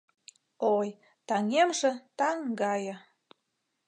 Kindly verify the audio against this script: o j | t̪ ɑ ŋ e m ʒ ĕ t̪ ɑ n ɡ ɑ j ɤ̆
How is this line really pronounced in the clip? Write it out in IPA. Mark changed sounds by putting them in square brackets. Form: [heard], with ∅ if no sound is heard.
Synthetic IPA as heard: o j | t̪ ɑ ŋ e m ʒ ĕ t̪ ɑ [ŋ] ɡ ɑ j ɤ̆